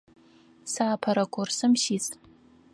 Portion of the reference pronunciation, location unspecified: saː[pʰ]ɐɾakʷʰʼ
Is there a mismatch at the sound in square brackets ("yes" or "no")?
no